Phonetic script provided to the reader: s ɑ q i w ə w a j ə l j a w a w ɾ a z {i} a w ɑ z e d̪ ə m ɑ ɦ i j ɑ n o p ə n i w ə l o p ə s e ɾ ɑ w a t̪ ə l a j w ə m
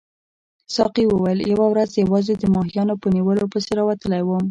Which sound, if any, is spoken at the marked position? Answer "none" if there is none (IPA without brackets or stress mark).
j